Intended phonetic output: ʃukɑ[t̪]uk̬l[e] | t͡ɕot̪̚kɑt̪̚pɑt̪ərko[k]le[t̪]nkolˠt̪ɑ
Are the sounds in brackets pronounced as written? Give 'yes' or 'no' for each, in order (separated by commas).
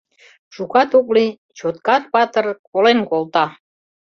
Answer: yes, no, no, no